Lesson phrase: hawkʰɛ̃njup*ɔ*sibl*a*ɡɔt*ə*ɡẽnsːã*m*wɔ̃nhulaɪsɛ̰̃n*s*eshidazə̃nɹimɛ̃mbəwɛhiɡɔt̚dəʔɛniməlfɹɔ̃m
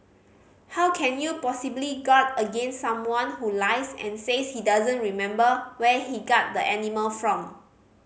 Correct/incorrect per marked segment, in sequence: correct, incorrect, correct, correct, correct

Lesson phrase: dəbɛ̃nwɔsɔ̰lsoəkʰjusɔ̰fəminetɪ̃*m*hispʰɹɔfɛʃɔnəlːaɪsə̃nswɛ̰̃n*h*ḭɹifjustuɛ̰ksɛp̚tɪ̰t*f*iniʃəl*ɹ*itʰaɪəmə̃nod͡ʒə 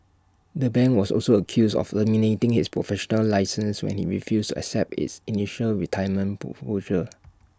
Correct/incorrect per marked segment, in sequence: incorrect, correct, incorrect, correct

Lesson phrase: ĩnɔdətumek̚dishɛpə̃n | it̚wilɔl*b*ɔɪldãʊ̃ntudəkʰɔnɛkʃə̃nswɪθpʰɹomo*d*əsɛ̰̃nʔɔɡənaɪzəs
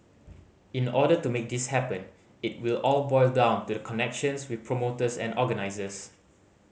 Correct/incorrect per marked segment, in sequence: correct, incorrect

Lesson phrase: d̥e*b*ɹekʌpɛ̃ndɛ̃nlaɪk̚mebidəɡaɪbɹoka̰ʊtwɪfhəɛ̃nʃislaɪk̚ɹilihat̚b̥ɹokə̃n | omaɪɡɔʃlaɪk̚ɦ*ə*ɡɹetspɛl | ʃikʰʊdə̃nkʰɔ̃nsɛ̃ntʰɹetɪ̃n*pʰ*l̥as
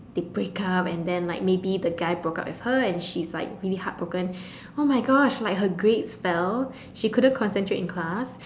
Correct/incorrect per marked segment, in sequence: correct, correct, incorrect

